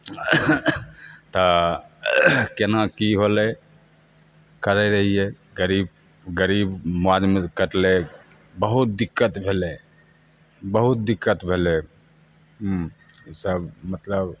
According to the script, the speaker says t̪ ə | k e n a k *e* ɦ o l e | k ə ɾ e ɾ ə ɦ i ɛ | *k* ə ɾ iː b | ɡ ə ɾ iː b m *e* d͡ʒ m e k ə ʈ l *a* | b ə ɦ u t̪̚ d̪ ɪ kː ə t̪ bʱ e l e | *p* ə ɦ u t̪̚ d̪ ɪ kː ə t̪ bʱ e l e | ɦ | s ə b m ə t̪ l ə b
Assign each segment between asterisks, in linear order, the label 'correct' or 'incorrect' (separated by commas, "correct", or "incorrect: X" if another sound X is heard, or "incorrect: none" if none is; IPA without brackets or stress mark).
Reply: incorrect: i, incorrect: ɡ, incorrect: a, incorrect: e, incorrect: b